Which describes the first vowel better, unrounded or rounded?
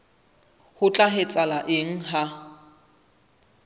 rounded